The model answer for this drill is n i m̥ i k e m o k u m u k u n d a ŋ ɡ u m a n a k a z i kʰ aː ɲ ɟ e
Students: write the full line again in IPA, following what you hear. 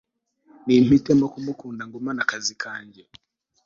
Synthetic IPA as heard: n i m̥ i t e m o k u m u k uː n d a ŋ ɡ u m a n a k a z i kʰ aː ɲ ɟ e